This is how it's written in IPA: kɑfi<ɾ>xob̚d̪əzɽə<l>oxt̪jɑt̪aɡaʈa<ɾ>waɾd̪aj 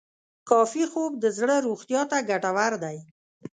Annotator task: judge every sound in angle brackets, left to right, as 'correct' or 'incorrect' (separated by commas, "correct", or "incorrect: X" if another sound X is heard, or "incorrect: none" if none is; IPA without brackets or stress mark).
incorrect: none, incorrect: ɾ, incorrect: none